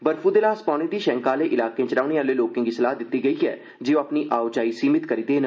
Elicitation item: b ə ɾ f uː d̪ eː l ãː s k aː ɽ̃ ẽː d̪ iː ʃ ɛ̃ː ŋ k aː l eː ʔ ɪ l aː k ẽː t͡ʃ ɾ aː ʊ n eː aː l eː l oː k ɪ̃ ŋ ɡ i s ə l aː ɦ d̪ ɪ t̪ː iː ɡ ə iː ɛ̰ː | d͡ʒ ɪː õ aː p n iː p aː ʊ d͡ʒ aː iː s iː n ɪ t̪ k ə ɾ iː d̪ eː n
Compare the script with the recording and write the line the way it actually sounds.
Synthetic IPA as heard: b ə ɾ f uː d̪ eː l aː s p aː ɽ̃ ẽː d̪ iː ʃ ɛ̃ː ŋ k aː l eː ʔ ɪ l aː k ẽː t͡ʃ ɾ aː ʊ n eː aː l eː l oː k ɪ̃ ŋ ɡ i s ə l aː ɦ d̪ ɪ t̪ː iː ɡ ə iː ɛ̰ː | d͡ʒ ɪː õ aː p n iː ʔ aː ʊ d͡ʒ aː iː s iː m ɪ t̪ k ə ɾ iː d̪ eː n